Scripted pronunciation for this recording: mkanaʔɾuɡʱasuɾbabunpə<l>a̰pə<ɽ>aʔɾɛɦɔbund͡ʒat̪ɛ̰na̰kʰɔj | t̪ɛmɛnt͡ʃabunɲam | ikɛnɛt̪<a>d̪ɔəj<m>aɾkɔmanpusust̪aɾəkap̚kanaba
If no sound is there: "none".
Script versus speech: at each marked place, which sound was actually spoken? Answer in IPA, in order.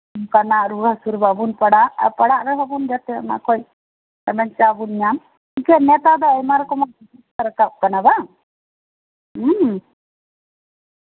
ɽ, ɽ, a, m

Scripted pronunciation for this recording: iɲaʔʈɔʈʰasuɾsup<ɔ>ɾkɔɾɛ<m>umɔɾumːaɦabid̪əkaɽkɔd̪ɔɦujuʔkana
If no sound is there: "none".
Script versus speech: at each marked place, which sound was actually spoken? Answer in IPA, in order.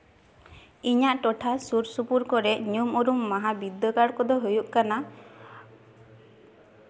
u, ɲ

